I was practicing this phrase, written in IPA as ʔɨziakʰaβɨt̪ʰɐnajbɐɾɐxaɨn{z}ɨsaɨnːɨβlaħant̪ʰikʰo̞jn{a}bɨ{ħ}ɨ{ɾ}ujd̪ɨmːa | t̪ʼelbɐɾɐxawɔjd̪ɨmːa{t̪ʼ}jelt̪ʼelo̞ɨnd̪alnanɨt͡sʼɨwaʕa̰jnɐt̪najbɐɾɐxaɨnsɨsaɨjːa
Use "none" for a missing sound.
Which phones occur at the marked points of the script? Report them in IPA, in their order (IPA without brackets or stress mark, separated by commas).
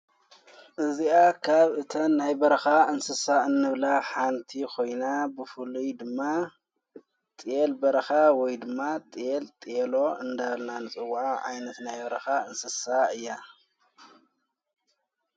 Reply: s, a, f, l, t̪ʼ